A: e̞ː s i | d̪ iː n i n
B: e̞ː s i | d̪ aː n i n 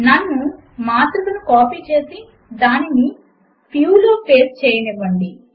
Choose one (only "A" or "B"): B